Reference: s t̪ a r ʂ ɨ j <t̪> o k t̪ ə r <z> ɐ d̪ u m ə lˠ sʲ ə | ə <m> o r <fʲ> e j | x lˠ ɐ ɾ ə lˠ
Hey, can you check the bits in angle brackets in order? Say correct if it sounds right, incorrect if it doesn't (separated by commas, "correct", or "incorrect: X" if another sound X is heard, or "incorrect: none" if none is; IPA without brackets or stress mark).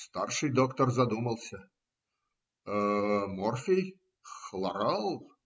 incorrect: d̪, correct, correct, correct